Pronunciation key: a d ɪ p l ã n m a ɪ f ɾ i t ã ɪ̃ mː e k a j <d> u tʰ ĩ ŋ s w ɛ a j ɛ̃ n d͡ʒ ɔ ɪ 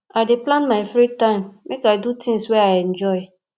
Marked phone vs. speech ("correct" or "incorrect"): correct